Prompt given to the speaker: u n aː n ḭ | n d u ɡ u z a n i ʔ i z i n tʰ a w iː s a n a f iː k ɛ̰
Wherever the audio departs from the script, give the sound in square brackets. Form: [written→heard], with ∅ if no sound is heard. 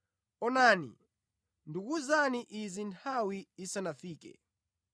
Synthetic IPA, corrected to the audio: [u→ɔ] n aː n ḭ | n d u [ɡ→k] u z a n i ʔ i z i n tʰ a w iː s a n a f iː k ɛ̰